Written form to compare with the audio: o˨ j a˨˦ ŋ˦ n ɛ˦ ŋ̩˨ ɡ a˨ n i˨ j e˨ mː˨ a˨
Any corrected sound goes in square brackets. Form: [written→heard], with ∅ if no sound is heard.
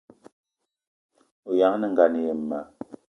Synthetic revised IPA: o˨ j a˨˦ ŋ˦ n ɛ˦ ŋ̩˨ ɡ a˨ n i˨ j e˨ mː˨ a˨